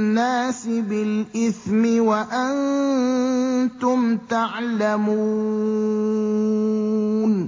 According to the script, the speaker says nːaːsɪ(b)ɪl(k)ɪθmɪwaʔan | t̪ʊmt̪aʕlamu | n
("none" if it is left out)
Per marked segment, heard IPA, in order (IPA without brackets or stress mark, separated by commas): b, ʔ